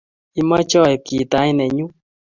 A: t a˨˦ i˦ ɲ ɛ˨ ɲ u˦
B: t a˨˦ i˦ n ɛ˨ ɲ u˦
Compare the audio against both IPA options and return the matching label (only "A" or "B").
B